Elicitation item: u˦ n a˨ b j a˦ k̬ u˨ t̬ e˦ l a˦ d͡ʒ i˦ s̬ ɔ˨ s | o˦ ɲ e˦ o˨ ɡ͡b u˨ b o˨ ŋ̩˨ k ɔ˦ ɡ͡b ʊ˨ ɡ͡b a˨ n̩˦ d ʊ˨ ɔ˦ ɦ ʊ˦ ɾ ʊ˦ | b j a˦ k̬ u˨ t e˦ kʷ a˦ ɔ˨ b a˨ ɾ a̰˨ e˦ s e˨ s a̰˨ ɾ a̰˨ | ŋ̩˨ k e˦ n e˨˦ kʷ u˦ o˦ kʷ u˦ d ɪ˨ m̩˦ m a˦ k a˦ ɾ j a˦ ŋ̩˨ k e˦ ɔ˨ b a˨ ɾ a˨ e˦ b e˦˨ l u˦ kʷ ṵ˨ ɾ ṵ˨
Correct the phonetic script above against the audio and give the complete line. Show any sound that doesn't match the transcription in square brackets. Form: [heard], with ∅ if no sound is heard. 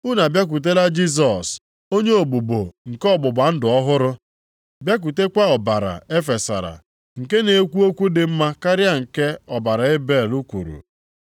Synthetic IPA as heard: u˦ n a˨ b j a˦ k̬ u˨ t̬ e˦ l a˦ d͡ʒ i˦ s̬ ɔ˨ s | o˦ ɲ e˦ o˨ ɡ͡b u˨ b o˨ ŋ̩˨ k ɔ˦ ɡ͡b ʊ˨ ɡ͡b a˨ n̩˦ d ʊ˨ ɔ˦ ɦ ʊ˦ ɾ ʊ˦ | b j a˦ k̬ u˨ t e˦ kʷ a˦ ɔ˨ b a˨ ɾ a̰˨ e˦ [f] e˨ s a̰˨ ɾ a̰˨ | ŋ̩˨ k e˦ n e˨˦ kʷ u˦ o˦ kʷ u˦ d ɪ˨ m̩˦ m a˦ k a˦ ɾ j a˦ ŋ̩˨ k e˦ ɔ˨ b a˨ ɾ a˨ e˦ b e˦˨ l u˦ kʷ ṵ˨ ɾ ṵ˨